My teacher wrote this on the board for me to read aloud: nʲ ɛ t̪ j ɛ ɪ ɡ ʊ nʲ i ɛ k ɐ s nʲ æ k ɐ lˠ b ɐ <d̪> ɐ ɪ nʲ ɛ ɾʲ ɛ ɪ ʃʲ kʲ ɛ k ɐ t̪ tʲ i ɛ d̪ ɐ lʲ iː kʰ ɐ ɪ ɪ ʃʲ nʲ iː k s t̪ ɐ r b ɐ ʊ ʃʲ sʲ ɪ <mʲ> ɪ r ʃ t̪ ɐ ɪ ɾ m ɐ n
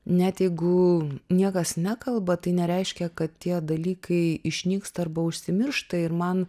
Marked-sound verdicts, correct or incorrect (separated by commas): incorrect, correct